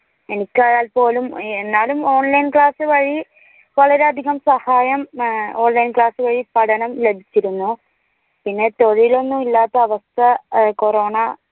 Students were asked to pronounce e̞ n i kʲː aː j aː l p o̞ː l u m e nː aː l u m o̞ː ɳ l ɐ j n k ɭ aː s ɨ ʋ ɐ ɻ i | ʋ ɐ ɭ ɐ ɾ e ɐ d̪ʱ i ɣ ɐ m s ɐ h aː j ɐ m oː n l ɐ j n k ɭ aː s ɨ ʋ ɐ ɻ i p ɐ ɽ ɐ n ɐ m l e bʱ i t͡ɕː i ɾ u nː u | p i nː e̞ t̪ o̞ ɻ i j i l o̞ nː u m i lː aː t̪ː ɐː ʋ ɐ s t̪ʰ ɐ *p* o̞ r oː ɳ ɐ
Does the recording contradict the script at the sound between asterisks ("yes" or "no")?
yes